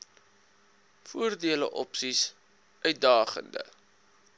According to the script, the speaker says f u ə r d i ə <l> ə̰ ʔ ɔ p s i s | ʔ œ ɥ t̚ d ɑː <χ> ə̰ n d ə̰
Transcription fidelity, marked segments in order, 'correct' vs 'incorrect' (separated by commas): correct, correct